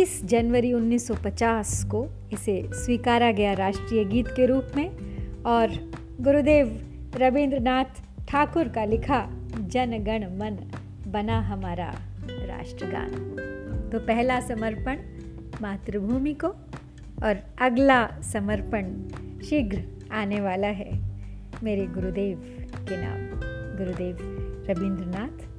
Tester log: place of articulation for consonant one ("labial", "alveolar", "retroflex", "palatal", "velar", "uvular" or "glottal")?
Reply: alveolar